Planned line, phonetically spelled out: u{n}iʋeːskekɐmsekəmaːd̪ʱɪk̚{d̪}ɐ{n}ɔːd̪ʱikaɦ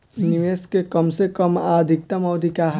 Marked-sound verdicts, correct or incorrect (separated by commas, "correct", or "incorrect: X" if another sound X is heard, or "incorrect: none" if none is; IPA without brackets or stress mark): correct, incorrect: t̪, incorrect: m